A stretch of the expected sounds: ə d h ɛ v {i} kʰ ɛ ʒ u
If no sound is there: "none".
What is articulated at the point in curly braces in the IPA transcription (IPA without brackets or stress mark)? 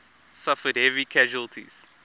i